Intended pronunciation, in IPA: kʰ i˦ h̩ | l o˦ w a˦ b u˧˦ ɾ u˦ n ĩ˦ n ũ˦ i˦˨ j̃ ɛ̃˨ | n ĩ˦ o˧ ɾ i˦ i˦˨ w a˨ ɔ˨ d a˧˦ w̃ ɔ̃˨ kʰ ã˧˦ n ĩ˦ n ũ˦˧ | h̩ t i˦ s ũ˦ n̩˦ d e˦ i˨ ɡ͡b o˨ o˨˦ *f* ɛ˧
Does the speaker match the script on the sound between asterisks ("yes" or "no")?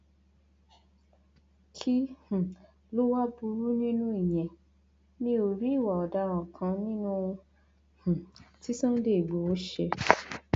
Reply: no